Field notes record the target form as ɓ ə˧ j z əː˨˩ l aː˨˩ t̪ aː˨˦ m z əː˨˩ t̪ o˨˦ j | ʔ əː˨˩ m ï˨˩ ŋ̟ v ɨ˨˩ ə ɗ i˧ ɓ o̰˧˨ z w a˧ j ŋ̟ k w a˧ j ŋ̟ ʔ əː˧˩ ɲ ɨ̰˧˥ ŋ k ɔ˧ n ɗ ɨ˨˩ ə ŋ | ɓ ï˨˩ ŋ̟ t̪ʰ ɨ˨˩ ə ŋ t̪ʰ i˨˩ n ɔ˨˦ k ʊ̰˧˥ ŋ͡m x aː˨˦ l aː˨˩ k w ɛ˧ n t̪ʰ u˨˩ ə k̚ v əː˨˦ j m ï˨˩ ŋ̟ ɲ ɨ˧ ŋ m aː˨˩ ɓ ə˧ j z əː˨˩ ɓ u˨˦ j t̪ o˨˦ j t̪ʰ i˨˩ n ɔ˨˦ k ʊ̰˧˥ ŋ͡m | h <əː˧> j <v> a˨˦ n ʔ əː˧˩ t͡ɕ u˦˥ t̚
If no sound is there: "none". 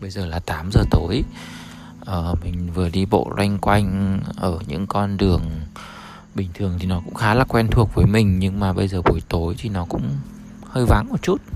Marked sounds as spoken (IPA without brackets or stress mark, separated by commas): əː˧, v